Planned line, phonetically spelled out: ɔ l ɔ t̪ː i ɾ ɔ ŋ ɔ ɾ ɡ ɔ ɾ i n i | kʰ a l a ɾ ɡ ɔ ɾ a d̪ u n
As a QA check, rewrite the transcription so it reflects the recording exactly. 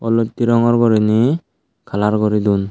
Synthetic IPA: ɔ l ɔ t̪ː i ɾ ɔ ŋ ɔ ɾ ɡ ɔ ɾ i n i | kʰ a l a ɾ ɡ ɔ ɾ i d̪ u n